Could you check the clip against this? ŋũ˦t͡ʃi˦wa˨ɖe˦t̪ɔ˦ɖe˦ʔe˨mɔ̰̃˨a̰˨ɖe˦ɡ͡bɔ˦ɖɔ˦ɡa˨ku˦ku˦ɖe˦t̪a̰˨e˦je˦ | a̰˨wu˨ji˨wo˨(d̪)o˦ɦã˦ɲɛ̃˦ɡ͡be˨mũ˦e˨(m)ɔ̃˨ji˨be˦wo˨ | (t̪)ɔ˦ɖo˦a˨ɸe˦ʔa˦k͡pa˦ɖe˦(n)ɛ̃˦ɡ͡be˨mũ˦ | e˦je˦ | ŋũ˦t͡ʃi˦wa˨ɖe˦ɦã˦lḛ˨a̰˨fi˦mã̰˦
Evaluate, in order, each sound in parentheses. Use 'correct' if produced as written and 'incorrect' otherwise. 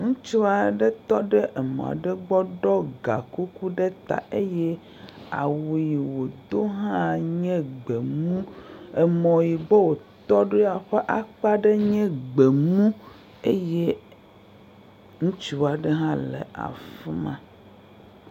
correct, correct, correct, incorrect

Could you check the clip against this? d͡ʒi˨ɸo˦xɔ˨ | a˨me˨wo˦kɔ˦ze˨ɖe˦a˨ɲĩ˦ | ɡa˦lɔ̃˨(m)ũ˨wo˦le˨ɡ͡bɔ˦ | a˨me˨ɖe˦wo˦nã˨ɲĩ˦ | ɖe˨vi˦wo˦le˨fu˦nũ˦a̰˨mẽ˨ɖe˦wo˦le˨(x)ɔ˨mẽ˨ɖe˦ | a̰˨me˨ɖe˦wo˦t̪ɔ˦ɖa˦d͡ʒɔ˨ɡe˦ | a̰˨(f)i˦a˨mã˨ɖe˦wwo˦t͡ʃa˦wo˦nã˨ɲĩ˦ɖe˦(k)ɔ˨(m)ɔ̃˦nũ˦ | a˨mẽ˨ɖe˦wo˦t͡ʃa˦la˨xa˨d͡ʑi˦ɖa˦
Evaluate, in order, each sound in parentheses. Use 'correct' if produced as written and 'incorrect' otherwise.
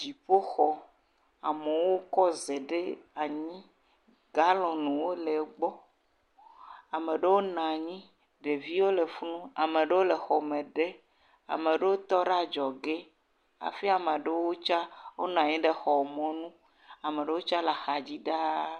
incorrect, correct, correct, incorrect, correct

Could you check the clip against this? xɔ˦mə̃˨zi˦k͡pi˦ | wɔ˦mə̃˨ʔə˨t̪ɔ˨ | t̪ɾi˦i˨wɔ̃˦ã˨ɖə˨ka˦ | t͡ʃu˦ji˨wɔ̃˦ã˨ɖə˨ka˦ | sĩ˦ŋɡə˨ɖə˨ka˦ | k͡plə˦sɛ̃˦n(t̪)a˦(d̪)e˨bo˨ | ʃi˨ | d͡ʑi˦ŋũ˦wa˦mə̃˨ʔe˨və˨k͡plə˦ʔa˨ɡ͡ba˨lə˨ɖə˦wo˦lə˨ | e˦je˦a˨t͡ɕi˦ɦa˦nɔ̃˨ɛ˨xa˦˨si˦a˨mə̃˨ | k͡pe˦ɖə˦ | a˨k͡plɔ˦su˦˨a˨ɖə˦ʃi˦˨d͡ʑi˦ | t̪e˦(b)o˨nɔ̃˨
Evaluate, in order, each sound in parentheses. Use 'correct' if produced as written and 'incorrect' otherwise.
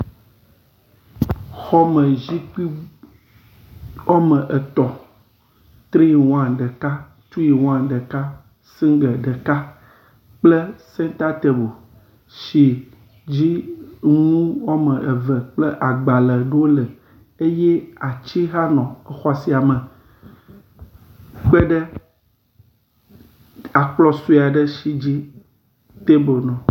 correct, incorrect, correct

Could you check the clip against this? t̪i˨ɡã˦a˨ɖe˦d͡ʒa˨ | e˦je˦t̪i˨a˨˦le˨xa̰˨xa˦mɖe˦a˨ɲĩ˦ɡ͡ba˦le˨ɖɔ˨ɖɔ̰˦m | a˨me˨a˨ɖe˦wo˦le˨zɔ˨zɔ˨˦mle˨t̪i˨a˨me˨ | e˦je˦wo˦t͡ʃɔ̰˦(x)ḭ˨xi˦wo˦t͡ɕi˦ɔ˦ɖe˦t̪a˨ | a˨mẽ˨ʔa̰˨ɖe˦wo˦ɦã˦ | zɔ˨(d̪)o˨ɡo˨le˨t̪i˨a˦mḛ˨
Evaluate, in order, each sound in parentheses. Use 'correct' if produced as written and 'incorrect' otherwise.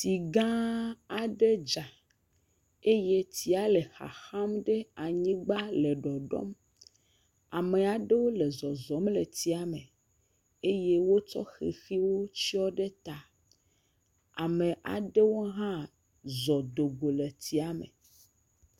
correct, correct

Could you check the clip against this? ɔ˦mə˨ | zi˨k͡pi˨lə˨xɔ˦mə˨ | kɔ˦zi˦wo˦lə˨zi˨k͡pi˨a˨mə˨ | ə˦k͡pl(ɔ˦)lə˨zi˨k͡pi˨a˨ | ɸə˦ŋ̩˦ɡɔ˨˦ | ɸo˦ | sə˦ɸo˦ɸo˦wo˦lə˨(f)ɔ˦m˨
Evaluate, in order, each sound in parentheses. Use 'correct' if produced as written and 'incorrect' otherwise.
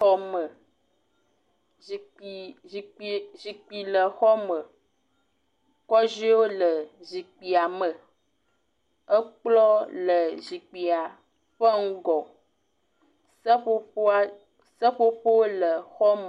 correct, incorrect

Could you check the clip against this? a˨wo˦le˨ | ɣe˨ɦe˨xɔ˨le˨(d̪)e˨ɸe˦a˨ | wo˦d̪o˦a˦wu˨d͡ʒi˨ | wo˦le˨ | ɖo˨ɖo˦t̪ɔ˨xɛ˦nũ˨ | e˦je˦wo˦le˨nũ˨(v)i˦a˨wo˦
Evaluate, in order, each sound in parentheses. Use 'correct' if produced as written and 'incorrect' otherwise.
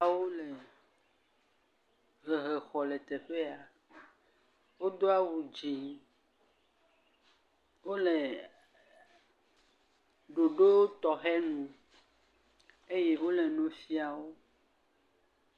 incorrect, incorrect

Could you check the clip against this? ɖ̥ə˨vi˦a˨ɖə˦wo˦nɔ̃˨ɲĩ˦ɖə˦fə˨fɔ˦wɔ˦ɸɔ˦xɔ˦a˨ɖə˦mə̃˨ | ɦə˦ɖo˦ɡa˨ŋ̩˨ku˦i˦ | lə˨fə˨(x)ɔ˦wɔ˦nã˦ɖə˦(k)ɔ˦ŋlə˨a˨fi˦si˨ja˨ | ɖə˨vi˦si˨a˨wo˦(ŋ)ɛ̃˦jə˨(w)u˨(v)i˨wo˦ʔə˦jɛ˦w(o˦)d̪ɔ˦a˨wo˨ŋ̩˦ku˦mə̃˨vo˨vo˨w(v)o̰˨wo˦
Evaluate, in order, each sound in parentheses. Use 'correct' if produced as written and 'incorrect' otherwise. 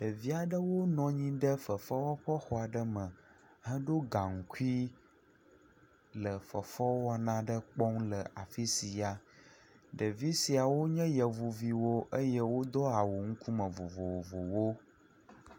incorrect, incorrect, incorrect, incorrect, correct, correct, correct

